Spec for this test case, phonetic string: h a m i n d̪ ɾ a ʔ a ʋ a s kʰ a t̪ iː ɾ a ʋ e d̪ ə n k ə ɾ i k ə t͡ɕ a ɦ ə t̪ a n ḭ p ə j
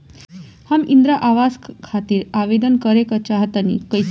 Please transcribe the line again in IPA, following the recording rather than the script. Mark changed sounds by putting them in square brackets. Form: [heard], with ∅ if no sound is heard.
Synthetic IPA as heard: h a m i n d̪ ɾ a ʔ a ʋ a s kʰ a t̪ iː ɾ a ʋ e d̪ ə n k ə ɾ [e] k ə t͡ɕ a ɦ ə t̪ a n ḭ [k] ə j